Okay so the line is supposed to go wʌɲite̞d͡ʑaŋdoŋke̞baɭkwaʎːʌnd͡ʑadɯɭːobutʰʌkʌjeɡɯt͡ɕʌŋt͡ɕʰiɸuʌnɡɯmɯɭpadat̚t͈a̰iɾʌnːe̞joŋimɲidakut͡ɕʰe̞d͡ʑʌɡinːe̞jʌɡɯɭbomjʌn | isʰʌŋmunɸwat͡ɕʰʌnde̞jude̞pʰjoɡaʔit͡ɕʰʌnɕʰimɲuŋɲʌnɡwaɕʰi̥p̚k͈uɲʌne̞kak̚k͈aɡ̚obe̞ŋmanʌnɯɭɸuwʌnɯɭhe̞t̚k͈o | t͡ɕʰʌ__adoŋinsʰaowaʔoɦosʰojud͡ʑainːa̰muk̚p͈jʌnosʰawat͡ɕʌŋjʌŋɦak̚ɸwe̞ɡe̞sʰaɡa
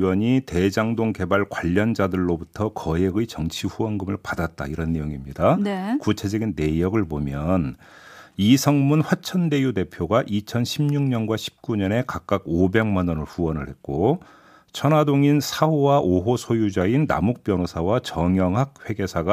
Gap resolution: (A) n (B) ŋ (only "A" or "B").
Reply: A